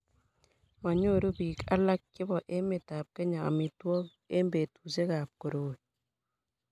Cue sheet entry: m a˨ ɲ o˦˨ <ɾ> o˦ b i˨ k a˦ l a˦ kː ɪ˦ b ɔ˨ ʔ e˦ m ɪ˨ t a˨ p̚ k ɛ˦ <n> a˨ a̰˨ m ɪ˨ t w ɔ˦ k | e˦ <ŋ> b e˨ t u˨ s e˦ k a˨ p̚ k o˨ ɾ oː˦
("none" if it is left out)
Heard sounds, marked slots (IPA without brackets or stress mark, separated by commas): ɾ, ɲ, m